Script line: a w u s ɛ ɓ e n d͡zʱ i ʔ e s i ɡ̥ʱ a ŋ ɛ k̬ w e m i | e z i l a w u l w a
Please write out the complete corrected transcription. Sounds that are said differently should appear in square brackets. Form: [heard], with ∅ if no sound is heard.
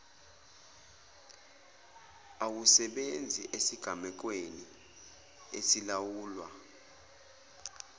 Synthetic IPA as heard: a w u s ɛ ɓ e n d͡zʱ i ʔ e s i ɡ̥ʱ a [m] ɛ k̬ w e [n] i | e [s] i l a w [uː] l w a